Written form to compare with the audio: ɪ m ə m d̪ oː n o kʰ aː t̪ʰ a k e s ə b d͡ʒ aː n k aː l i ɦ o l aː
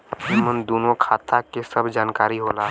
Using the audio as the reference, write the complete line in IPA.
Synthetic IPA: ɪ m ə n d̪ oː n o kʰ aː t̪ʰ a k e s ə b d͡ʒ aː n k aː ɾ i ɦ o l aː